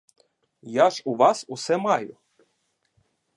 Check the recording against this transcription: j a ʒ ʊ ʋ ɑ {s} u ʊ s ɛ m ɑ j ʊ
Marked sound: correct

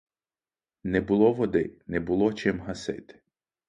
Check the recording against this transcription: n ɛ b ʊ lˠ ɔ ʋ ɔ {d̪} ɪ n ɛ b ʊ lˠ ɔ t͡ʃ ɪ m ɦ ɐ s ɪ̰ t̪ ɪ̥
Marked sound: correct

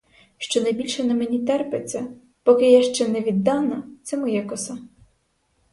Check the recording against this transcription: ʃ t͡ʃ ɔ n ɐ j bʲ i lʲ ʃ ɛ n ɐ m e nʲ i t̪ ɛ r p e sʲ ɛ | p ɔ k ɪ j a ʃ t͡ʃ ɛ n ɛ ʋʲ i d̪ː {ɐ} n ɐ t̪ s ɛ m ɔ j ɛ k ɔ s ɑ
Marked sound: incorrect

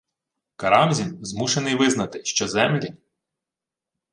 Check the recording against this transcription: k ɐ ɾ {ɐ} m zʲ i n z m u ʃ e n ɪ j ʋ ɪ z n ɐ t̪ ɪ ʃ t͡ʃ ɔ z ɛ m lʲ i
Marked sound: incorrect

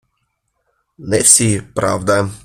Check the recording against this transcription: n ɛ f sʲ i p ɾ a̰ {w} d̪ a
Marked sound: incorrect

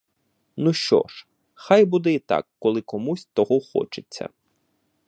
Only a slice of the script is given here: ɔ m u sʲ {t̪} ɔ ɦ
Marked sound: correct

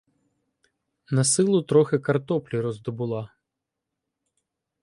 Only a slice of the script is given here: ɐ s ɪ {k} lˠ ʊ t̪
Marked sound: incorrect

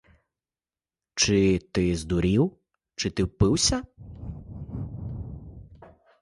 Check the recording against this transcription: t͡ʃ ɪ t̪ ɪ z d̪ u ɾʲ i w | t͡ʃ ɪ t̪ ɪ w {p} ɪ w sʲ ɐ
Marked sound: correct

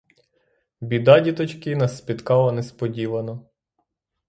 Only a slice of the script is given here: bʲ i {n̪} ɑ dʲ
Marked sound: incorrect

